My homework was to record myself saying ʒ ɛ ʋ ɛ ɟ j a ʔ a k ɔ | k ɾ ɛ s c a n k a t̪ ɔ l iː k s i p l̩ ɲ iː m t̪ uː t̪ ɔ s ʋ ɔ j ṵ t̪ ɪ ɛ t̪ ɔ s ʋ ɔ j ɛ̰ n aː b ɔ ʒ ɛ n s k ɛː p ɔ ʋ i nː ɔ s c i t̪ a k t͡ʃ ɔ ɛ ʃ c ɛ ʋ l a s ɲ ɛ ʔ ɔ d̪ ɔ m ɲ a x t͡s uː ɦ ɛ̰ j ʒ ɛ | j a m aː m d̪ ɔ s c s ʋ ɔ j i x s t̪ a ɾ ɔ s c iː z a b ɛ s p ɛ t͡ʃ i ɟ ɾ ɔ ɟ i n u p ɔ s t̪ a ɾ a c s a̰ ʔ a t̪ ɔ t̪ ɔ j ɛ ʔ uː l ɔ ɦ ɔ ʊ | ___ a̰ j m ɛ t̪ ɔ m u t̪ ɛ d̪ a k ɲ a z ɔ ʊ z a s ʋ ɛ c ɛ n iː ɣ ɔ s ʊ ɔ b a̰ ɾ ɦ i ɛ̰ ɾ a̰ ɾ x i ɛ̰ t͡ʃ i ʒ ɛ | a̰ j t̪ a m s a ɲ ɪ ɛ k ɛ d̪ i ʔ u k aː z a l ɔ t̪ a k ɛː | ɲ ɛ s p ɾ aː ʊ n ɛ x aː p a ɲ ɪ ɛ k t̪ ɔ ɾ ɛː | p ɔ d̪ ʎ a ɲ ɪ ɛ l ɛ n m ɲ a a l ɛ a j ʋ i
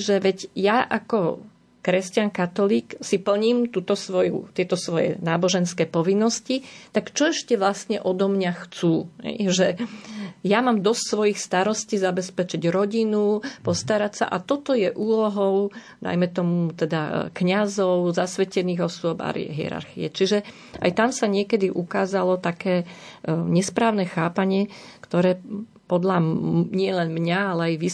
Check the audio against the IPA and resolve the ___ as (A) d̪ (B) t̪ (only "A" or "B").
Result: A